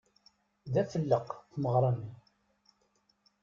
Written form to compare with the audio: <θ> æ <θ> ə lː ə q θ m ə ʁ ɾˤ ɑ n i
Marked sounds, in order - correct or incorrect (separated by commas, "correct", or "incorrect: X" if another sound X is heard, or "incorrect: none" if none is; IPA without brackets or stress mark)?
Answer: incorrect: ð, incorrect: f